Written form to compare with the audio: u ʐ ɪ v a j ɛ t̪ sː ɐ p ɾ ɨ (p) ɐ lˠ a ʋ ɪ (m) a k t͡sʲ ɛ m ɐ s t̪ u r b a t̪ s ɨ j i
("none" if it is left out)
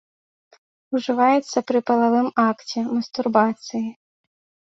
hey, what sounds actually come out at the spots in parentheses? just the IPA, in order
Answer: p, m

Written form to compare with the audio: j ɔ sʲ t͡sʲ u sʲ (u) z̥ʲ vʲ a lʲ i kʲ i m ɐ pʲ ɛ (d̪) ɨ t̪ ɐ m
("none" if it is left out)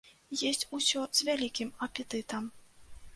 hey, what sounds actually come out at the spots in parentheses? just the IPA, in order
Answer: ɔ, t̪

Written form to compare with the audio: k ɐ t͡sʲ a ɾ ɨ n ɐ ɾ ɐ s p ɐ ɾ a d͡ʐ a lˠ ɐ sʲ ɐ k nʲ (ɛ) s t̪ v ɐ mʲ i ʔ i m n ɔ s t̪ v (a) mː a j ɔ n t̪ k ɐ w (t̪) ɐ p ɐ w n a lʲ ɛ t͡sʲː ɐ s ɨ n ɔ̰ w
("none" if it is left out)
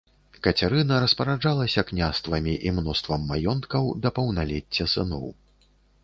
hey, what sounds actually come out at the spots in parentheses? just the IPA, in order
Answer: a, ɐ, d̪

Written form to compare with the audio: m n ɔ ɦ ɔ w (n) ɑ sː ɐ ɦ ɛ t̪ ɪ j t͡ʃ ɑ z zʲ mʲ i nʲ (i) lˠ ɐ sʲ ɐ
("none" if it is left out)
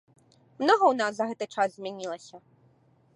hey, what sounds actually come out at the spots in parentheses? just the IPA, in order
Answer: n, i

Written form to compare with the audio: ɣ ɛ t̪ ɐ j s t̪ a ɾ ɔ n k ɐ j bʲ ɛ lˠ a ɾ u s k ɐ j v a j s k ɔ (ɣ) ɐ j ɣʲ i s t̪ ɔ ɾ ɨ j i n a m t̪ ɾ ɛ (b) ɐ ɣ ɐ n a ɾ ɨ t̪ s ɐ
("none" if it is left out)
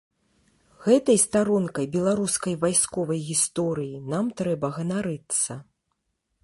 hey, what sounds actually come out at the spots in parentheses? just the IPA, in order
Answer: v, b

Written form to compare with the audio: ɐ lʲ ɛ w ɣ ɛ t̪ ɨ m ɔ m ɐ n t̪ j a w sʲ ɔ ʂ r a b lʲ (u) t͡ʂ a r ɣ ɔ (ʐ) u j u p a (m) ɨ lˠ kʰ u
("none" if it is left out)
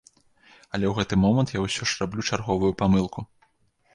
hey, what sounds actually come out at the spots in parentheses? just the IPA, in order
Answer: u, v, m

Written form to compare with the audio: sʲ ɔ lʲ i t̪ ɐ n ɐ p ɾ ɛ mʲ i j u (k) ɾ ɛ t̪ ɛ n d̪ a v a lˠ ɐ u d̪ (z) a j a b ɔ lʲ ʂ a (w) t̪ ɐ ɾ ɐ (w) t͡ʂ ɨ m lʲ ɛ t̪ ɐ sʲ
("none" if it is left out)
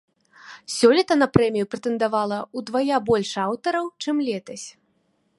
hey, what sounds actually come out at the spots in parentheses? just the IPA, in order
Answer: p, v, w, w

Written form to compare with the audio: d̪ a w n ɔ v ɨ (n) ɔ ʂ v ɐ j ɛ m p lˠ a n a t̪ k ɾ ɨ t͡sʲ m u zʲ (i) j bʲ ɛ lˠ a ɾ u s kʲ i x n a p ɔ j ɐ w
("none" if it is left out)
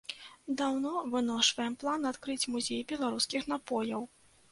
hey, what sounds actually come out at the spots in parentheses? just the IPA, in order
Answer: n, e

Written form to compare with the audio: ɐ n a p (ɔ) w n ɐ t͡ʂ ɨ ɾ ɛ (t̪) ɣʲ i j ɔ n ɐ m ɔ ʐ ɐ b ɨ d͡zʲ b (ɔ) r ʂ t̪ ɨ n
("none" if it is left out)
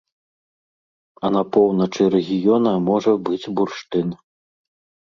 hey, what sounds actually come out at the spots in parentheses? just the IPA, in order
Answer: ɔ, none, u

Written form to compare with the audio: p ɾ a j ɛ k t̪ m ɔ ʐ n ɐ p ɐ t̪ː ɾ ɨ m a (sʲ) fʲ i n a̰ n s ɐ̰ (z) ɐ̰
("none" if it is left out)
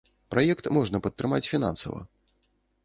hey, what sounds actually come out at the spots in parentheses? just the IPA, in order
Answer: t͡sʲ, v

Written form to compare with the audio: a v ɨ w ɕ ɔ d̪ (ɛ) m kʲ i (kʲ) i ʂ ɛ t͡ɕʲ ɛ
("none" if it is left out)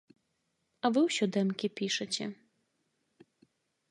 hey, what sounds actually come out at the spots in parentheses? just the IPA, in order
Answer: ɛ, pʲ

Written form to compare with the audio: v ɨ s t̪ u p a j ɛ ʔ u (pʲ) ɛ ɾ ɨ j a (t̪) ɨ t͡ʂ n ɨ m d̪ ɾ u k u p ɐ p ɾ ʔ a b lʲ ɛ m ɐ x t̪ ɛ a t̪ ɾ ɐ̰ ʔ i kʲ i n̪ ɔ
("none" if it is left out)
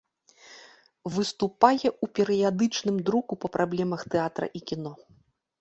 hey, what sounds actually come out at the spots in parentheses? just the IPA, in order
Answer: pʲ, d̪

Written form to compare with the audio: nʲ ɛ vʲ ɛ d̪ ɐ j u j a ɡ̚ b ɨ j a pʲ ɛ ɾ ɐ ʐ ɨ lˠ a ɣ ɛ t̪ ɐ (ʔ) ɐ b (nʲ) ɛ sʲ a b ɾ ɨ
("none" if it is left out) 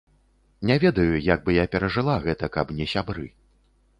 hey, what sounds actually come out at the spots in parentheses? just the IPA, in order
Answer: k, nʲ

